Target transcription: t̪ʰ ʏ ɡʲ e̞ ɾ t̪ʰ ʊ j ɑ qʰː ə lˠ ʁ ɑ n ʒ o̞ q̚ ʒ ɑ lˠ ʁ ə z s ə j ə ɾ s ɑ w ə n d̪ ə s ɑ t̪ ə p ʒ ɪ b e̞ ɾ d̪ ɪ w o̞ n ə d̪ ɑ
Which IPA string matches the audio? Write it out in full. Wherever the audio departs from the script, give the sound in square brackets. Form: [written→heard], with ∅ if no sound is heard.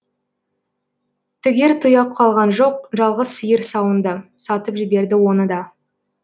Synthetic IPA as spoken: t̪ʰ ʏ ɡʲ e̞ ɾ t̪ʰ ʊ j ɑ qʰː [ə→ɑ] lˠ ʁ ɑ n ʒ o̞ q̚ ʒ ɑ lˠ ʁ ə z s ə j ə ɾ s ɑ w ə n d̪ ə s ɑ t̪ ə p ʒ ɪ b e̞ ɾ d̪ ɪ w o̞ n ə d̪ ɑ